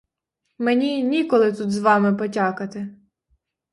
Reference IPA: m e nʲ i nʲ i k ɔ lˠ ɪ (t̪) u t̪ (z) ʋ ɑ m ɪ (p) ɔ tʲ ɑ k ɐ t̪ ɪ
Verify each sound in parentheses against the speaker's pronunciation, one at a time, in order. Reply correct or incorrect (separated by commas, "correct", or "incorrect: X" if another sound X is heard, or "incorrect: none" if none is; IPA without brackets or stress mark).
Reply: correct, correct, correct